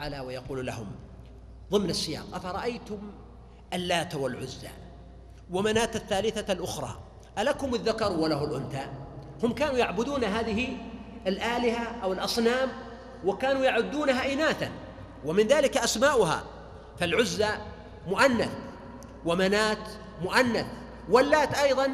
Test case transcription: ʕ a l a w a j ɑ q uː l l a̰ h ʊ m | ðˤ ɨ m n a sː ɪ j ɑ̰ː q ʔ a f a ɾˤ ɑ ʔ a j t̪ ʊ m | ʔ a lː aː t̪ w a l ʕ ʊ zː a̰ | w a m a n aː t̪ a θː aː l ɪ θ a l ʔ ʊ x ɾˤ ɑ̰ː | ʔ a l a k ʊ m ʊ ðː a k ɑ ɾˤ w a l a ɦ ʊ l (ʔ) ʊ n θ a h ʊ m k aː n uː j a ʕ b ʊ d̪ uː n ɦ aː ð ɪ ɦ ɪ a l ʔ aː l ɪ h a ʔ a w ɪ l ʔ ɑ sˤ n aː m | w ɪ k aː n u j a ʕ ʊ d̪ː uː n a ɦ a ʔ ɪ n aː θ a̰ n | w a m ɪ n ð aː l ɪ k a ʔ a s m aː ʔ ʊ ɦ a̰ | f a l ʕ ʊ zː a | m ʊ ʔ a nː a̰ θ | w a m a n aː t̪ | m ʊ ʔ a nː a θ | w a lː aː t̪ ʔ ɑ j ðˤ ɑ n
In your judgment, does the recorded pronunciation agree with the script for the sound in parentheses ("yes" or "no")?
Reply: yes